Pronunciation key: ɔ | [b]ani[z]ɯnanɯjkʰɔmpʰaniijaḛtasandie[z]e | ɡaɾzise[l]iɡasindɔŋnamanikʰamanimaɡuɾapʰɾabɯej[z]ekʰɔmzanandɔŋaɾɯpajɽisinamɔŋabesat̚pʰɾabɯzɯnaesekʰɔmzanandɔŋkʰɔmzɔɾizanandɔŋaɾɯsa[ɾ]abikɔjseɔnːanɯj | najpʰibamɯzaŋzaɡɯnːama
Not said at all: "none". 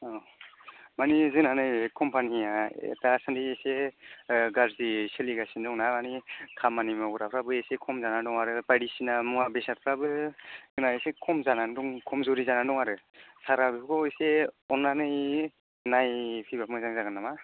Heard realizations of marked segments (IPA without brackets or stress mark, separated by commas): m, z, s, l, s, ɾ